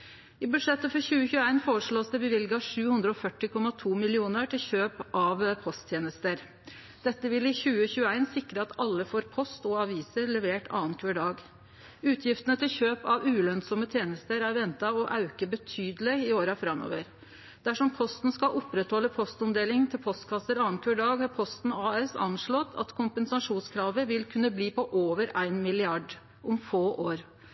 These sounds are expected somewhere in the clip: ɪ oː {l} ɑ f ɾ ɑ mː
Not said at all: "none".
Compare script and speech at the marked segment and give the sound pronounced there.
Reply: ɾ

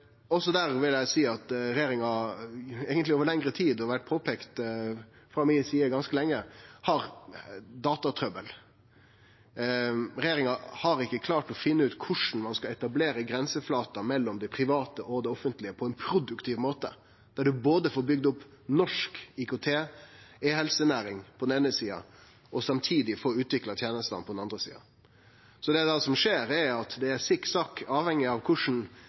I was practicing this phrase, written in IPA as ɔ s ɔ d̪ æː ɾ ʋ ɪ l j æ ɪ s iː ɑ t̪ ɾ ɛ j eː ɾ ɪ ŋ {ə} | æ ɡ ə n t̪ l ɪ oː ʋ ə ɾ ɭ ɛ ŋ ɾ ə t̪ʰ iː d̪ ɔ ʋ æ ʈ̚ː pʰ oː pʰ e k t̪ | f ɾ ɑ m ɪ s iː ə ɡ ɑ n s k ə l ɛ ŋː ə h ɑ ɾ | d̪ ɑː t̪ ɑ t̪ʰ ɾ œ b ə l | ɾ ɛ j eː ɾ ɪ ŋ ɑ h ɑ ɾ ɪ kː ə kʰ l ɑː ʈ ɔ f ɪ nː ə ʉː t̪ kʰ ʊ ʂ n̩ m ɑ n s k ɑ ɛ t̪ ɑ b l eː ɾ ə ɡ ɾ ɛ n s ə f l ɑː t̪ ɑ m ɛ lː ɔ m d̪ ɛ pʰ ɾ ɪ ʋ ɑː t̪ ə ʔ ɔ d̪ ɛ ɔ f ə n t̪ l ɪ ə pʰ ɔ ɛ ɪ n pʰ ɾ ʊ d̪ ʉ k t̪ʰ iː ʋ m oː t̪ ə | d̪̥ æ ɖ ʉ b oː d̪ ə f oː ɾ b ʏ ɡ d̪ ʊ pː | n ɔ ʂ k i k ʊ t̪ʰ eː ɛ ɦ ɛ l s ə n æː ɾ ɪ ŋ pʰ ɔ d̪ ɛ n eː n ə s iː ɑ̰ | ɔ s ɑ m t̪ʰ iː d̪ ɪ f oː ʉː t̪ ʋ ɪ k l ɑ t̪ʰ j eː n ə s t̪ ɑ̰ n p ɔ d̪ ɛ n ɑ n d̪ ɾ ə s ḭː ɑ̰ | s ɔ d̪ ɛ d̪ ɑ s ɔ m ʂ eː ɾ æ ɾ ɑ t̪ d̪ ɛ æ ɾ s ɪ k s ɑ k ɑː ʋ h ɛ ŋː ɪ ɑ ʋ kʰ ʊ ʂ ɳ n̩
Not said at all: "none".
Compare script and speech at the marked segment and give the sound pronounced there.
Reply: ɑ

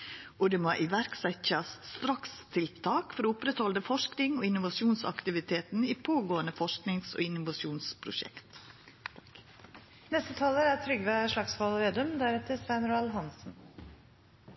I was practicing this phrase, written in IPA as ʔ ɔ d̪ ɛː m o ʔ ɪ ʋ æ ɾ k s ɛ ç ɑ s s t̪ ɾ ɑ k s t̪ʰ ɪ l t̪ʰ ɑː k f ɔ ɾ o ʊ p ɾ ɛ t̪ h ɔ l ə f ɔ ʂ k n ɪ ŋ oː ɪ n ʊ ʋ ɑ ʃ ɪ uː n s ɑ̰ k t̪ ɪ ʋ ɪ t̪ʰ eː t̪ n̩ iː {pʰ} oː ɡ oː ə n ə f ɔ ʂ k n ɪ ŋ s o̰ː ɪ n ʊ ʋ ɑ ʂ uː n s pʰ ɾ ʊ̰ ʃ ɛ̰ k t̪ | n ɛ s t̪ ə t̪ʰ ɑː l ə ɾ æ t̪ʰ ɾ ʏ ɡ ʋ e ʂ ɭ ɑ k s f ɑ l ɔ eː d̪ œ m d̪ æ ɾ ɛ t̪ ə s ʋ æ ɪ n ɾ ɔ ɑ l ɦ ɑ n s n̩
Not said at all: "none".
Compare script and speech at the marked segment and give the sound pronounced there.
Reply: pʰ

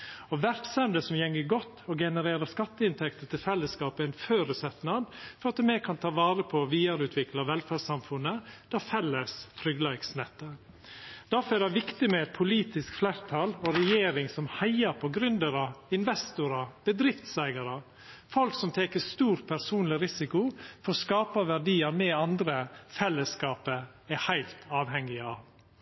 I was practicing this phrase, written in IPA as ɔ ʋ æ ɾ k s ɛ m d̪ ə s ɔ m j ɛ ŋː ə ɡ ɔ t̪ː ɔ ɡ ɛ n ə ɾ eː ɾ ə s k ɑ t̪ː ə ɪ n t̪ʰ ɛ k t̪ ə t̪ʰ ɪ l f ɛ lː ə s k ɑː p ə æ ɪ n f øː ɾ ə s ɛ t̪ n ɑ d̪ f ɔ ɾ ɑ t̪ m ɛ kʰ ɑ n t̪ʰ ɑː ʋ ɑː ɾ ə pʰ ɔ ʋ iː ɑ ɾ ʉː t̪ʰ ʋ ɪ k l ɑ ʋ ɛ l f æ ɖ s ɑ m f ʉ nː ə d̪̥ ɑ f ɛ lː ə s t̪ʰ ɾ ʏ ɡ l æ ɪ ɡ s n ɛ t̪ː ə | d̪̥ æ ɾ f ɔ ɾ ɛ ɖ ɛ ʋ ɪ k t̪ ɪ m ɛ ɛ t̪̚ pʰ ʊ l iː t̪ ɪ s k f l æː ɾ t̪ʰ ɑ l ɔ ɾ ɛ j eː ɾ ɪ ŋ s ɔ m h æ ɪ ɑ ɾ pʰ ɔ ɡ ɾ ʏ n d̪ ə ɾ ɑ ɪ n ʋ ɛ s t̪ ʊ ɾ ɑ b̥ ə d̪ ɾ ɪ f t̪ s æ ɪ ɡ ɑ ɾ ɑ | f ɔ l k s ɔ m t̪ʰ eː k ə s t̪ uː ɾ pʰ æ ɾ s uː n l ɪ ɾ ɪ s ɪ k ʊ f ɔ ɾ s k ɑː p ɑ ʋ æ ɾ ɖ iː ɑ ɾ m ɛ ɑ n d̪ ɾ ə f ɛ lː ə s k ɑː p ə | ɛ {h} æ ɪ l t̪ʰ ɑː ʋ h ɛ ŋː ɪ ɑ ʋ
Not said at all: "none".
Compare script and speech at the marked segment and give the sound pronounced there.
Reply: h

